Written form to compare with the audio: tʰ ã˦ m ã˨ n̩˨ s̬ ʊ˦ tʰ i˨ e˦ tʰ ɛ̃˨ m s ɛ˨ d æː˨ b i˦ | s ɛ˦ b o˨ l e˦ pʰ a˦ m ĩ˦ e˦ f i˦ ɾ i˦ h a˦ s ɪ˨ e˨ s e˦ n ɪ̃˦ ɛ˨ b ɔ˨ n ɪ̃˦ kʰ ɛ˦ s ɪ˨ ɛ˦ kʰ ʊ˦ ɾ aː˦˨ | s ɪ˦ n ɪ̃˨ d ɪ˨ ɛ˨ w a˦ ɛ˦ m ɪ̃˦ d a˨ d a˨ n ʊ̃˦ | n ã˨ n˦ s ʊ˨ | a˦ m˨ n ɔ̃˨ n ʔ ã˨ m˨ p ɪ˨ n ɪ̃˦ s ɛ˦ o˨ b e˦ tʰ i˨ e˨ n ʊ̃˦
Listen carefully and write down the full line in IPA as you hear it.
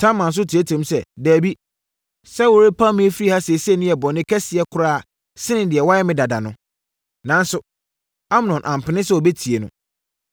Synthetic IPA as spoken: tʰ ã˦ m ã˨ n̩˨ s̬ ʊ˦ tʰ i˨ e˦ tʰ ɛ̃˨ m s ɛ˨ d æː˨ b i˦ | s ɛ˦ w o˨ ɾ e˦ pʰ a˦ m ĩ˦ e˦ f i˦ ɾ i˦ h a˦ s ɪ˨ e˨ s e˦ n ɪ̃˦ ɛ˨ b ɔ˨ n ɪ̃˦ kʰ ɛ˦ s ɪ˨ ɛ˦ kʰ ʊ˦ ɾ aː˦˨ | s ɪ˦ n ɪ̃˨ d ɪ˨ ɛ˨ w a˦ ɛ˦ m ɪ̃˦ d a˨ d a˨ n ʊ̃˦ | n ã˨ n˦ s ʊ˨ | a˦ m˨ n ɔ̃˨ n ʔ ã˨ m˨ p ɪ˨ n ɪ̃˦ s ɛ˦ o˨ b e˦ tʰ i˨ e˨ n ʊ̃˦